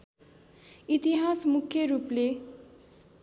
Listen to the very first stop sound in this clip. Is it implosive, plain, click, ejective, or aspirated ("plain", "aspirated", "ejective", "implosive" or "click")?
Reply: plain